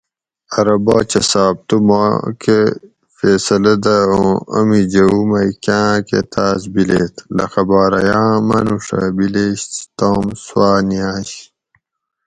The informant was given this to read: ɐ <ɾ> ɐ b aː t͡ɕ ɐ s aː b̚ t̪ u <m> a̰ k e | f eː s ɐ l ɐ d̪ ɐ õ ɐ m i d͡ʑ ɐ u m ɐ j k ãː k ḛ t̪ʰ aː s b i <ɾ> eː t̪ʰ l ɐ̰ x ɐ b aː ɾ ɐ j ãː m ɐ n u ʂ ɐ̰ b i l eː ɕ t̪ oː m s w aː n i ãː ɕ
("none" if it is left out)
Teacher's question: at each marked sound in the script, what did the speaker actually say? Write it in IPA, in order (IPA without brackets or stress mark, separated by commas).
ɾ, m, l